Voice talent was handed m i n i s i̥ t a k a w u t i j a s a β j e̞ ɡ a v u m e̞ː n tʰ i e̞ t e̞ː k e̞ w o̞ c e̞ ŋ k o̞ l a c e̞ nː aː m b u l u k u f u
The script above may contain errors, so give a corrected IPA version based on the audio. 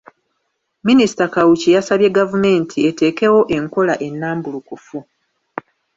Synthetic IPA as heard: m i n i s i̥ t a k a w u c i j a s a β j e̞ ɡ a v u m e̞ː n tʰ i e̞ t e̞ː k e̞ w o̞ ʔ e̞ ŋ k o̞ l a ʔ e̞ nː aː m b u l u k u f u